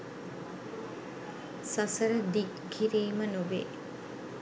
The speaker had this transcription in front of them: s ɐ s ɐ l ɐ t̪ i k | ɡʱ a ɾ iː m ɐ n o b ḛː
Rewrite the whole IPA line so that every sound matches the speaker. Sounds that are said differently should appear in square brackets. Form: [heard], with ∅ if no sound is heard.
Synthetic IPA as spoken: s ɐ s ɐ [ɾ] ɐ [d̪] i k | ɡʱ [i] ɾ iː m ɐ n [u] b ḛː